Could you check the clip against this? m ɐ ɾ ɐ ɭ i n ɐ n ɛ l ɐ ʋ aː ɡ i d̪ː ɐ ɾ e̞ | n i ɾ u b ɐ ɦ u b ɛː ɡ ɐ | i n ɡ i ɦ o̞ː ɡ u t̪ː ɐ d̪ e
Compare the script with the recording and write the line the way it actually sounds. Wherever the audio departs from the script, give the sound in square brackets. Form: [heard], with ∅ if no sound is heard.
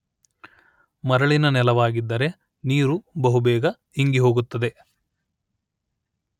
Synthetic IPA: m ɐ ɾ ɐ ɭ i n ɐ n ɛ l ɐ ʋ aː ɡ i d̪ː ɐ ɾ e̞ | n [iː] ɾ u b ɐ ɦ u b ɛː ɡ ɐ | i [ŋ] ɡ i ɦ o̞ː ɡ u t̪ː ɐ d̪ e